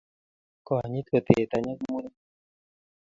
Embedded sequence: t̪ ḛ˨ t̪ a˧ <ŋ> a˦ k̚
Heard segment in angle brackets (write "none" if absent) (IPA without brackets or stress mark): ɲ